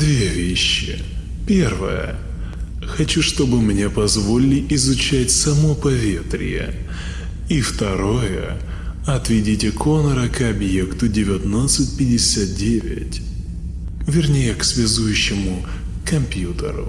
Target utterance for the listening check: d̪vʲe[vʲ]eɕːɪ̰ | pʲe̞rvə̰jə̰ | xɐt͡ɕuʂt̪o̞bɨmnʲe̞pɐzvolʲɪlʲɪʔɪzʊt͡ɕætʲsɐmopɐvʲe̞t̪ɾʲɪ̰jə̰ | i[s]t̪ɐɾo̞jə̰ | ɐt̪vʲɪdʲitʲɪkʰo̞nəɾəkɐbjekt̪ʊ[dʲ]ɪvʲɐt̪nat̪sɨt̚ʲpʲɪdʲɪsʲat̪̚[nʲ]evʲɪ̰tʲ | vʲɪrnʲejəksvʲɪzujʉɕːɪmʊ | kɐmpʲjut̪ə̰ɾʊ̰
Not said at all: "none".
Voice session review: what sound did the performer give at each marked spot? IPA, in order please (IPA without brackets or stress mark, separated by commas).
vʲ, f, dʲ, dʲ